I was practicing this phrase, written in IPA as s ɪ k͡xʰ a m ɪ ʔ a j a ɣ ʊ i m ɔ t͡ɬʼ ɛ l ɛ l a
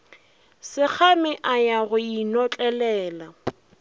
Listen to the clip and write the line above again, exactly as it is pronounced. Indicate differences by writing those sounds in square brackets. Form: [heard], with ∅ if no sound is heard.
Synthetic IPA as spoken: s ɪ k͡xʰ a m ɪ ʔ a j a ɣ ʊ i [n] ɔ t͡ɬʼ ɛ l [ɛː] l a